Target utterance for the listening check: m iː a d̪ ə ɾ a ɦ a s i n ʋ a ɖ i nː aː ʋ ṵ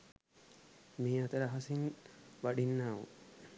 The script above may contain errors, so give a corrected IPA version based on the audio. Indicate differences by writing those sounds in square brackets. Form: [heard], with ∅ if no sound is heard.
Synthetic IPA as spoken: m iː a [t̪] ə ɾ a ɦ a s i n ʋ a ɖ i nː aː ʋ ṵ